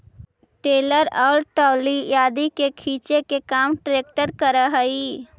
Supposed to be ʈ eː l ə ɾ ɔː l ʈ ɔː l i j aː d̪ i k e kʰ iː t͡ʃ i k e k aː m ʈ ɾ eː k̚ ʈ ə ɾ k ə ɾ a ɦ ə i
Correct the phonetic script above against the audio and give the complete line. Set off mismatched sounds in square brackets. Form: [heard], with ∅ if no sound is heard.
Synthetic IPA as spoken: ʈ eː l ə ɾ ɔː l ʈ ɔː l i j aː d̪ i k e kʰ iː t͡ʃ [e] k e k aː m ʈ ɾ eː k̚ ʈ ə ɾ k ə ɾ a ɦ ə i